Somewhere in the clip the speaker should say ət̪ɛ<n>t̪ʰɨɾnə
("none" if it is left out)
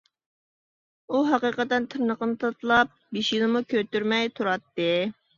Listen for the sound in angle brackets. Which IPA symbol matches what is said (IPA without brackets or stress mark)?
n